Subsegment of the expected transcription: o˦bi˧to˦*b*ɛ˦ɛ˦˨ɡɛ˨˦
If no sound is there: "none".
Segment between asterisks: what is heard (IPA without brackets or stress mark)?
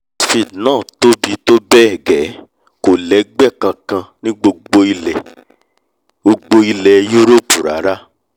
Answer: b